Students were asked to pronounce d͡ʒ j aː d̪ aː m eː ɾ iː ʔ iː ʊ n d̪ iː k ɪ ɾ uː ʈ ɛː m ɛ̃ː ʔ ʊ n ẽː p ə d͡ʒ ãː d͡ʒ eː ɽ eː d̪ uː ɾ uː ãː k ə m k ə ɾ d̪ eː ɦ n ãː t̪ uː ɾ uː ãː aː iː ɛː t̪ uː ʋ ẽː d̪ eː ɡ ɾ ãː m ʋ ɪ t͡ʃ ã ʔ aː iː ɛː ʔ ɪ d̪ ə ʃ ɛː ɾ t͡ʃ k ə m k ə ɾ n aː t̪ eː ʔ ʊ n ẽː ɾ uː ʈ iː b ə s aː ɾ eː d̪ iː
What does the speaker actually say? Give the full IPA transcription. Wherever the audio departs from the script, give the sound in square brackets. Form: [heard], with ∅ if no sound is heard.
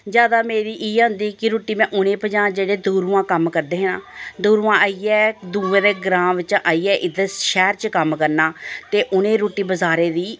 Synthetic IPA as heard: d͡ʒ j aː d̪ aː m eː ɾ iː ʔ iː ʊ n d̪ iː k ɪ ɾ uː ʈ [iː] m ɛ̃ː ʔ ʊ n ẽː p ə d͡ʒ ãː d͡ʒ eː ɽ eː d̪ uː ɾ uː ãː k ə m k ə ɾ d̪ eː ɦ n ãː [d̪] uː ɾ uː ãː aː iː ɛː [d̪] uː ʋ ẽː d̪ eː ɡ ɾ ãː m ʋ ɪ t͡ʃ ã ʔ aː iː ɛː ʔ ɪ d̪ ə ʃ ɛː ɾ t͡ʃ k ə m k ə ɾ n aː t̪ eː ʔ ʊ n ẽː ɾ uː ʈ iː b ə [z] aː ɾ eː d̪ iː